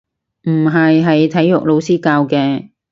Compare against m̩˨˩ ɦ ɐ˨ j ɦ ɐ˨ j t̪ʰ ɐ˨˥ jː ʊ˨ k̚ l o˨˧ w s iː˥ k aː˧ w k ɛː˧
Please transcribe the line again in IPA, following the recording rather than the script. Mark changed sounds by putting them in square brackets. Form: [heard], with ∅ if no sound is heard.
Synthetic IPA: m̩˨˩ ɦ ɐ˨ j ɦ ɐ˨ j t̪ʰ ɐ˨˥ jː ʊ˨ k̚ l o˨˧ w s iː˥ k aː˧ w k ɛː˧